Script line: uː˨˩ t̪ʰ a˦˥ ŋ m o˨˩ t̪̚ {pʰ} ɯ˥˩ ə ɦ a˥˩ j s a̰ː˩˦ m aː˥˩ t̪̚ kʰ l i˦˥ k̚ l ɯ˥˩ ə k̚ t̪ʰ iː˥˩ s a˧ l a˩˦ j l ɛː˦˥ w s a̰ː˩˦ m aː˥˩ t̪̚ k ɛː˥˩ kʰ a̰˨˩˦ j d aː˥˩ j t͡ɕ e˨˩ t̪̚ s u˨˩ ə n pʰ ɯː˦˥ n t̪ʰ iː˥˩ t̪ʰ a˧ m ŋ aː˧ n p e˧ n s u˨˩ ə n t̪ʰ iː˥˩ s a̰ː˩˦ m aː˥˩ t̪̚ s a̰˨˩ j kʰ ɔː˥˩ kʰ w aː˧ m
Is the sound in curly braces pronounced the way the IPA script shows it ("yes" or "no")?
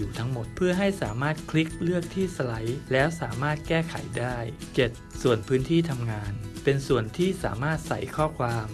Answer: yes